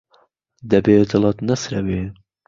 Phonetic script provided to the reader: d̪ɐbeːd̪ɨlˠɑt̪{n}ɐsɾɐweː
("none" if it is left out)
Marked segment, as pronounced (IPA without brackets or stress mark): n